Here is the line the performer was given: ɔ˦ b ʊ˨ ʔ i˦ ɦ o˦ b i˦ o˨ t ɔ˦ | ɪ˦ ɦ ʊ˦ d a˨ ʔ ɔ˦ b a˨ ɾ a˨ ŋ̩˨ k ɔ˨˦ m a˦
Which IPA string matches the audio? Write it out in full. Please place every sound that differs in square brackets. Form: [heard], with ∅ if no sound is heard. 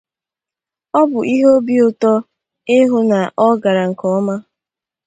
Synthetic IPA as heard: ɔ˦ b ʊ˨ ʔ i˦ ɦ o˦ b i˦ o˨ t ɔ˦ | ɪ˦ ɦ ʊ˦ [n] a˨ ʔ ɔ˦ [ɡ] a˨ ɾ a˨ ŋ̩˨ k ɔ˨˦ m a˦